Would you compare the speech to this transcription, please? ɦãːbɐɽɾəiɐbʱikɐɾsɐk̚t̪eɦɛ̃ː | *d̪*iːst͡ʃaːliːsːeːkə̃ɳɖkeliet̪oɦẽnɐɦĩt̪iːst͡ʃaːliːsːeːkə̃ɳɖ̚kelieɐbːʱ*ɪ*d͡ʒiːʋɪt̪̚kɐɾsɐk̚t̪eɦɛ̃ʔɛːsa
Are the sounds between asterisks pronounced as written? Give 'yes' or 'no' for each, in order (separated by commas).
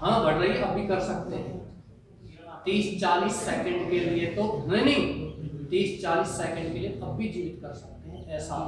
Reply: no, no